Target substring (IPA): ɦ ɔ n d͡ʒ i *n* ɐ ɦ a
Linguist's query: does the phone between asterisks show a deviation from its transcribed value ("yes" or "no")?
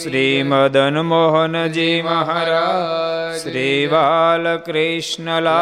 yes